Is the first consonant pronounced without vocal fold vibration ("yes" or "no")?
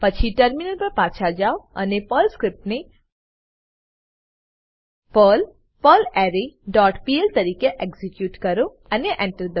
yes